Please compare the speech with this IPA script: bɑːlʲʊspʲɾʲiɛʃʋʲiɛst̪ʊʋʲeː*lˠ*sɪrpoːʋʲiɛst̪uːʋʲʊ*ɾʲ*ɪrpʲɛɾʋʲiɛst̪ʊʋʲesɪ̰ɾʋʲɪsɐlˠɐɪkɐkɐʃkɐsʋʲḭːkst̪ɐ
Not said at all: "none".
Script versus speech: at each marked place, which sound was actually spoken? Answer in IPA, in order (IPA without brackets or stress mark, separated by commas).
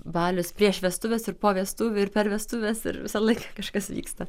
none, none